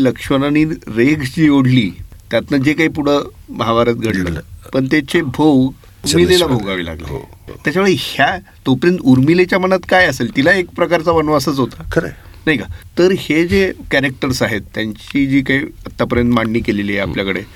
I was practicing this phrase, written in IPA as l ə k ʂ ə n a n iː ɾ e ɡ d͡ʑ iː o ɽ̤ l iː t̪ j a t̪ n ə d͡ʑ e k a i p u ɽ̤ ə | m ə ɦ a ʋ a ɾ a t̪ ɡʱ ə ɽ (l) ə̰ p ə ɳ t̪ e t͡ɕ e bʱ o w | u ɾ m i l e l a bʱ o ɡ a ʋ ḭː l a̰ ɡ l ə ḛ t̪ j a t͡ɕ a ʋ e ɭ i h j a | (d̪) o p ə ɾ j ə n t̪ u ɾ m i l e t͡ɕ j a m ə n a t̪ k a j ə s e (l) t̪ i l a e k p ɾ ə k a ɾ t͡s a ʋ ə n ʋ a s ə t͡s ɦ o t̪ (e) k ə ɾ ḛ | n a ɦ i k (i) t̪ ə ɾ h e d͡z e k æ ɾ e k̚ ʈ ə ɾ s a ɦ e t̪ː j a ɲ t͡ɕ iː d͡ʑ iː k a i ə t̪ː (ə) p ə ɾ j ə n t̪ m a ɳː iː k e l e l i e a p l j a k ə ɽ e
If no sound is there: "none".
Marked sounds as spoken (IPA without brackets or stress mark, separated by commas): l, t̪, l, a, a, a